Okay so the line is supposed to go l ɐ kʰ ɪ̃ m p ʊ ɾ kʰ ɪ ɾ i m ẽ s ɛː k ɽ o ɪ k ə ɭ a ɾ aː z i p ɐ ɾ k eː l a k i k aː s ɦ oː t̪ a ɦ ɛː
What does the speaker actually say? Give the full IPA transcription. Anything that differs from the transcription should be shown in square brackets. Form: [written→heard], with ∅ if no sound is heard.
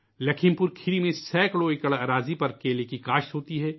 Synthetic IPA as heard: l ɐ kʰ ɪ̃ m p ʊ ɾ kʰ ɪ ɾ i m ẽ s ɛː k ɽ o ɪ k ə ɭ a ɾ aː z i p ɐ ɾ k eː l [a→e] k i k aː [s→ʃ] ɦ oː t̪ [a→i] ɦ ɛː